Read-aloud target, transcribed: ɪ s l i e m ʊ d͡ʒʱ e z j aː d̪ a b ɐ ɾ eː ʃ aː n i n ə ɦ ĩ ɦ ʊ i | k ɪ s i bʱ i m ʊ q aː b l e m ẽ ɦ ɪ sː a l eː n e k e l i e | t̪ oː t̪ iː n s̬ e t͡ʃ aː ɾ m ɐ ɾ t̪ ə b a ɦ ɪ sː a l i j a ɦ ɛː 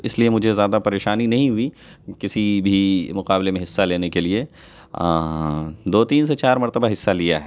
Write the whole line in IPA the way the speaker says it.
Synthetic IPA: ɪ s l i e m ʊ d͡ʒʱ e z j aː d̪ a p ɐ ɾ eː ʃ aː n i n ɐ ɦ ĩ ɦ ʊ i | k ɪ s i bʱ i m ʊ q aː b l e m ẽ ɦ ɪ sː a l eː n e k e l i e | d̪ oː t̪ iː n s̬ e t͡ʃ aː ɾ m ɐ ɾ t̪ ə b a ɦ ɪ sː a l i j a ɦ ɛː